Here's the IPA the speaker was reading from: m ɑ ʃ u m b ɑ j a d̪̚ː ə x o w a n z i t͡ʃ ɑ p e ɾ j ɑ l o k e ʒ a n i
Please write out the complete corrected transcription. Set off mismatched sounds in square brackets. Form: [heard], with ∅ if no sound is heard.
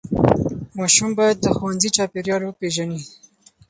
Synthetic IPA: m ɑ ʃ u m b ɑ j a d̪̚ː ə x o w a n z i t͡ʃ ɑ p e ɾ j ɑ l o [p] e ʒ a n i